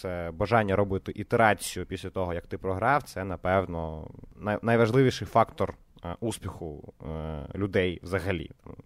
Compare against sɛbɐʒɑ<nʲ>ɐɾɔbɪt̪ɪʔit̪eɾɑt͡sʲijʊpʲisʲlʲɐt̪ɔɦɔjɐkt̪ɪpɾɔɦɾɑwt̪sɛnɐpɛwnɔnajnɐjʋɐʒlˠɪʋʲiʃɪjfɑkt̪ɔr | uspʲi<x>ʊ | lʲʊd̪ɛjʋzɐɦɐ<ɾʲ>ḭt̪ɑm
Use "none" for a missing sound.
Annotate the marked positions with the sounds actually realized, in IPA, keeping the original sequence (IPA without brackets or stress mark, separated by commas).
nʲː, x, lʲ